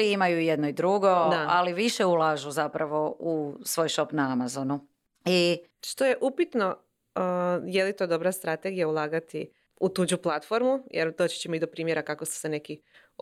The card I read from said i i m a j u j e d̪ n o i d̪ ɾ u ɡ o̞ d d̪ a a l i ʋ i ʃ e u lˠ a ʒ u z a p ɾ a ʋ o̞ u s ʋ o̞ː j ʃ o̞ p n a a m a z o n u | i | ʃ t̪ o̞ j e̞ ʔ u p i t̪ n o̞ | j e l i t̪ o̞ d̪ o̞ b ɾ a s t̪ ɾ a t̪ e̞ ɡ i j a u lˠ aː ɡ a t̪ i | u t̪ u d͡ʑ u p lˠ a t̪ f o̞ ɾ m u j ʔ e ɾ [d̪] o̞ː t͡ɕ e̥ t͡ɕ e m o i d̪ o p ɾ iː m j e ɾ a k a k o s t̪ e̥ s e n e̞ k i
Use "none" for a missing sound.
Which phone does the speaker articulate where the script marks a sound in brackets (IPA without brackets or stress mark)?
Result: d̪